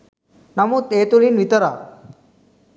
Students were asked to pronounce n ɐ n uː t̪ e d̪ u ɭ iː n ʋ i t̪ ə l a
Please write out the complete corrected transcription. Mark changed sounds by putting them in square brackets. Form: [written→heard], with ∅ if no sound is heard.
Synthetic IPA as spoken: n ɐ [n→m] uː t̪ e [d̪→t̪] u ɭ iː n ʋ i t̪ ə [l→ɾ] a